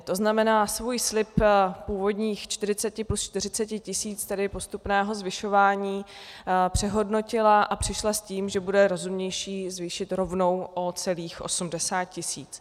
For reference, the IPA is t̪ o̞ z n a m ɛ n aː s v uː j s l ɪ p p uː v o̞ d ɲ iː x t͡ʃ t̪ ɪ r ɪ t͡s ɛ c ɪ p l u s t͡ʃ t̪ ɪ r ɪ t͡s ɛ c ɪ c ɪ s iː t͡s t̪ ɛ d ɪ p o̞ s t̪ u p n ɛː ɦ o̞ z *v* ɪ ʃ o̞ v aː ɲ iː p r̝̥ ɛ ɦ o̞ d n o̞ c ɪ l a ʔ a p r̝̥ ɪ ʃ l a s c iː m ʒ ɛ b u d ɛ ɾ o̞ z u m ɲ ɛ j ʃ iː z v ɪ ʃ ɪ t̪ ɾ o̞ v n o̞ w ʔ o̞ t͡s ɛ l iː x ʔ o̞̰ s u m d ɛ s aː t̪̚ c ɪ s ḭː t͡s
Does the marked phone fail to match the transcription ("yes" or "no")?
no